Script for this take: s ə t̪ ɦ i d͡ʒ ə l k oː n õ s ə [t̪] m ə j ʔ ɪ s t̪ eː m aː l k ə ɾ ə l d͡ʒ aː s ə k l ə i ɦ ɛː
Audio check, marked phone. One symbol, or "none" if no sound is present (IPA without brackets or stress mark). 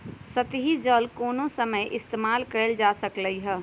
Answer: none